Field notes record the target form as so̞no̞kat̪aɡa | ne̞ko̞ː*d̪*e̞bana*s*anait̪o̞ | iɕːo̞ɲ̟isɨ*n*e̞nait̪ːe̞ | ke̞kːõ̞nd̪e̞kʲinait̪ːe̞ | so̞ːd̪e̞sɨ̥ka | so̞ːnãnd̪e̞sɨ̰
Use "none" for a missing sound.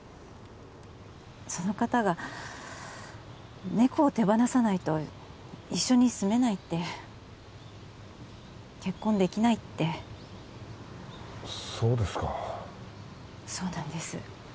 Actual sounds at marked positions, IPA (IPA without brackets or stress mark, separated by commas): t̪, s, m